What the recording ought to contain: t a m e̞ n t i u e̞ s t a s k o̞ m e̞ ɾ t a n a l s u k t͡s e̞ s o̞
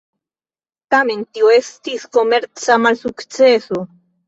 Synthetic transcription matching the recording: t a m e̞ n t i o e̞ s t i s k o̞ m e̞ ɾ t͡s a m a l s u k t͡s e̞ s o̞